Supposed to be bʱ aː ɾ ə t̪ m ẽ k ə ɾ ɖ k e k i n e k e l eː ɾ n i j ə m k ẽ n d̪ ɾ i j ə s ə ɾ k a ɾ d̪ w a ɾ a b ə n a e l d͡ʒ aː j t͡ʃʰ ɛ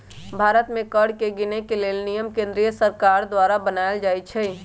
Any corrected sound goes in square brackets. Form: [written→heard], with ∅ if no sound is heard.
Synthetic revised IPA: bʱ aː ɾ ə t̪ m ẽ k ə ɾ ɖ k e [k→ɡ] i n e k e l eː [ɾ→l] n i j ə m k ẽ n d̪ ɾ i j ə s ə ɾ k a ɾ d̪ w a ɾ a b ə n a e l d͡ʒ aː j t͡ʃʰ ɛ